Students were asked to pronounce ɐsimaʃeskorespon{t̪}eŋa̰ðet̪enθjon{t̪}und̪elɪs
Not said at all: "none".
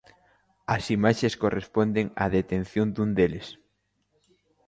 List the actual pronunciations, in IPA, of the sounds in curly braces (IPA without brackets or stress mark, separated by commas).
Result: d̪, d̪